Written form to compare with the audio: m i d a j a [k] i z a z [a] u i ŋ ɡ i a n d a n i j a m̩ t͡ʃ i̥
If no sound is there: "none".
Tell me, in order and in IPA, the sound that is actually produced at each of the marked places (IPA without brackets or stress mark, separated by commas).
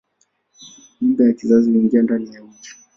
k, i